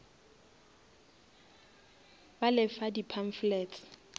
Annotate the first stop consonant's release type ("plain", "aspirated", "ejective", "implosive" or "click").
plain